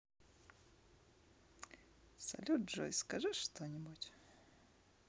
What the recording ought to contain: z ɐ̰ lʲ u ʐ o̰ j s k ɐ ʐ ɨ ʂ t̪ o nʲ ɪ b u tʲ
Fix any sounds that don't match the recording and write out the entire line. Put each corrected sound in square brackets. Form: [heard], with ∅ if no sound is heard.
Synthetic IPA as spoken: [s] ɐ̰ lʲ u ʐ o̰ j s k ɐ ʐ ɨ ʂ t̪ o nʲ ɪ b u tʲ